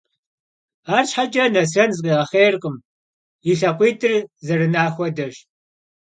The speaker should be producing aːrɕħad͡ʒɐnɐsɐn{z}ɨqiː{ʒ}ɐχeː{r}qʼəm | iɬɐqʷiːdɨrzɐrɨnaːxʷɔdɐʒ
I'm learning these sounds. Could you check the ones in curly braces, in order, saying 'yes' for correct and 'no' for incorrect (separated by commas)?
yes, no, yes